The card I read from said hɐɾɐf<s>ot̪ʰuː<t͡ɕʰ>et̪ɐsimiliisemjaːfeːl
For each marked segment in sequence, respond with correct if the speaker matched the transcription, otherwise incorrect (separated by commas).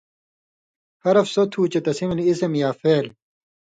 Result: correct, incorrect